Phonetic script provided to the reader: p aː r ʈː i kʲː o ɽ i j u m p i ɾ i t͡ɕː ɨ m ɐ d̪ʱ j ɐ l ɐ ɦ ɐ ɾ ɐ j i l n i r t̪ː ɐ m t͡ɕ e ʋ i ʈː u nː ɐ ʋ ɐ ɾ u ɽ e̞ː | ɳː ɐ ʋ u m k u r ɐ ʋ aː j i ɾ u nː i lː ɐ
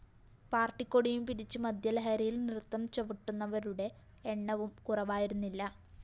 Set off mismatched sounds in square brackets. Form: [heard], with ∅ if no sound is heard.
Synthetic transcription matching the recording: p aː r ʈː i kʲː o ɽ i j u m p i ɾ i t͡ɕː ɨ m ɐ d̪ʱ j ɐ l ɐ ɦ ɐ ɾ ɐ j i l n i r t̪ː ɐ m t͡ɕ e ʋ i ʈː u nː ɐ ʋ ɐ ɾ u ɽ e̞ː | ɳː ɐ ʋ u m k u r ɐ ʋ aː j i ɾ u nː i lː ɐ